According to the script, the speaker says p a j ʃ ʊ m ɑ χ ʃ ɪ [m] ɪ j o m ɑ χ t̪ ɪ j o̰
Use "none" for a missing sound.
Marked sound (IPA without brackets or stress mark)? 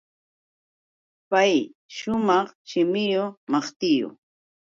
m